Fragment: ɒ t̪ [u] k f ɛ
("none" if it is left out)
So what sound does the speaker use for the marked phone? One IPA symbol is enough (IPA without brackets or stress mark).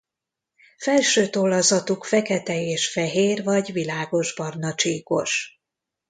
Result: u